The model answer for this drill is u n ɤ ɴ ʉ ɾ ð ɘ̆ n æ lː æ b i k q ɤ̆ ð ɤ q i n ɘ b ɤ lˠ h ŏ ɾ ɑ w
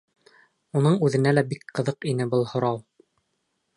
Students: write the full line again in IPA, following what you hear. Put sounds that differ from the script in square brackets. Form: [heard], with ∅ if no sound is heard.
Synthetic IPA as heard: u n ɤ ɴ ʉ [∅] ð ɘ̆ n æ [l] æ b i k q ɤ̆ ð ɤ q i n ɘ b ɤ lˠ h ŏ ɾ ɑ w